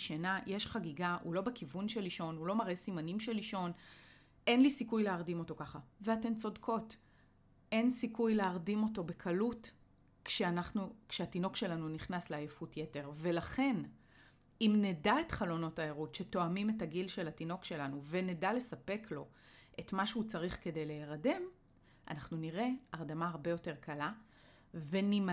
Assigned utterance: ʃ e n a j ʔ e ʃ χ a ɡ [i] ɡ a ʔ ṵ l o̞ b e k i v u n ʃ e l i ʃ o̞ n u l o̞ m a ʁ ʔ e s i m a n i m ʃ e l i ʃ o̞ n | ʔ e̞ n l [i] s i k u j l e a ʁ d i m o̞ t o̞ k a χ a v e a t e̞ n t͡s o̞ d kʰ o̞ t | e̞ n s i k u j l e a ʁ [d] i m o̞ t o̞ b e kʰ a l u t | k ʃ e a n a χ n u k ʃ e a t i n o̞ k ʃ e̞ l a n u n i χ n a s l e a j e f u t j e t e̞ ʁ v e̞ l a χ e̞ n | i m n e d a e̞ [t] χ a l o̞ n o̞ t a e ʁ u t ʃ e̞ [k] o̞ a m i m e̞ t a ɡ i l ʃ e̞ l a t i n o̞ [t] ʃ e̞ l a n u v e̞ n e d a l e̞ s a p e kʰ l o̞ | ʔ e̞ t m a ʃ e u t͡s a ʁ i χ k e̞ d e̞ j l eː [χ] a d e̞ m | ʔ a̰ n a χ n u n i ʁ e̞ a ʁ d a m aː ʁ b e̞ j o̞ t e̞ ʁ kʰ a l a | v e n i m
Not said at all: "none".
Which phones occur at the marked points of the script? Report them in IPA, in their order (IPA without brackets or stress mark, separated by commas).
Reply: i, i, d, t, t, k, ʁ